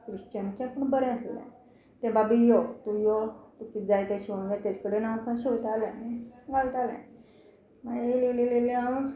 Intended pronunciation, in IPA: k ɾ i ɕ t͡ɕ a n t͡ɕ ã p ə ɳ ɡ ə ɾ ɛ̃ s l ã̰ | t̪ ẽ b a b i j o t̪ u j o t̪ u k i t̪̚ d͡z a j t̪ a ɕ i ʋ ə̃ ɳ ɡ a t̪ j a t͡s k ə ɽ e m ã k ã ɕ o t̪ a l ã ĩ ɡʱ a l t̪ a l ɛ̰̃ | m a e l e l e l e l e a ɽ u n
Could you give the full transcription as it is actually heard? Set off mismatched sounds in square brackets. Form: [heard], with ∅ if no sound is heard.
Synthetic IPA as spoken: k ɾ i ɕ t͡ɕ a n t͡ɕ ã p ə ɳ [b] ə ɾ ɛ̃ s l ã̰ | t̪ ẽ b a b i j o t̪ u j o t̪ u k i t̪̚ d͡z a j t̪ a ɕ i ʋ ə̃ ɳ ɡ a t̪ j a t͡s k ə ɽ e [n] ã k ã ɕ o t̪ a l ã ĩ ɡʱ a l t̪ a l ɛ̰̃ | m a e l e l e l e l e a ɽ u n